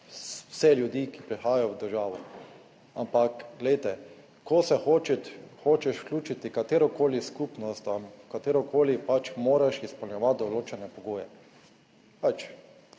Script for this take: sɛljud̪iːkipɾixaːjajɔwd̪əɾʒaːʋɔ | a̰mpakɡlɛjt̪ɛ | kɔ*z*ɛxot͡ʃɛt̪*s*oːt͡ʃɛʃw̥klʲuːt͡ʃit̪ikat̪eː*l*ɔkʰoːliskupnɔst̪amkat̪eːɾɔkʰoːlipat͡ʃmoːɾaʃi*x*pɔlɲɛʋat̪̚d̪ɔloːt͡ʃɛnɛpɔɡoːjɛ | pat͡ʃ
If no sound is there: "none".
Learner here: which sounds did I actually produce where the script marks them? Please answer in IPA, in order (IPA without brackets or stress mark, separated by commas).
s, x, ɾ, s